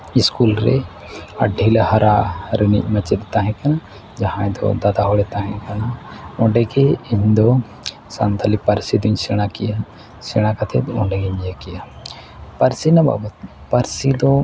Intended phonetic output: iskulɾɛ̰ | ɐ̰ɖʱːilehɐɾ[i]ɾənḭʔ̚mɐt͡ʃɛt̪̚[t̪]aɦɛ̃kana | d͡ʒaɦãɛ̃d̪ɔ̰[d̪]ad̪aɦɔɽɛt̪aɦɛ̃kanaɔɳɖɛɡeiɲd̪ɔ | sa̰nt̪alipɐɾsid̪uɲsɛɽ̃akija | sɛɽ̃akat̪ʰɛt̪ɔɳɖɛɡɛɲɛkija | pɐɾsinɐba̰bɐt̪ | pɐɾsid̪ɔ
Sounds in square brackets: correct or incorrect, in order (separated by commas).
incorrect, correct, correct